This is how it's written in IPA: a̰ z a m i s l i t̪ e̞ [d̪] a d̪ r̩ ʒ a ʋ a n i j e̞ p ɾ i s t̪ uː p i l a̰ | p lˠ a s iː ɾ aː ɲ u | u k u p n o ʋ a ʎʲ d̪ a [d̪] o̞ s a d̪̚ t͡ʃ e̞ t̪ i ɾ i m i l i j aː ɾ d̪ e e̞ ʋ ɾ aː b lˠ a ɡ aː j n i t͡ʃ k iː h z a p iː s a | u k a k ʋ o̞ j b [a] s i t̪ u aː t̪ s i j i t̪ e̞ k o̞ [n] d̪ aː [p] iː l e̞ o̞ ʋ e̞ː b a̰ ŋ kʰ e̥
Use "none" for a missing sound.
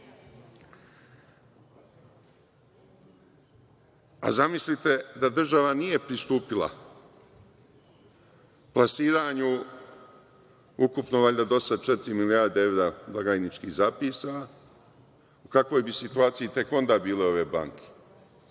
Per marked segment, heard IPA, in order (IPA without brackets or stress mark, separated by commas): d̪, d̪, i, n, b